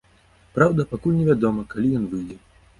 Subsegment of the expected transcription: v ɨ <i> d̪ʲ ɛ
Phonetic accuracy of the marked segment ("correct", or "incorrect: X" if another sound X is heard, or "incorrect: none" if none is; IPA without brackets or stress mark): incorrect: j